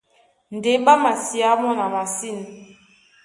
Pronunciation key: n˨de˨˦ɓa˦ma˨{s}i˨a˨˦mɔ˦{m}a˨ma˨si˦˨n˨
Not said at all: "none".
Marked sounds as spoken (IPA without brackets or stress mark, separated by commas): s, n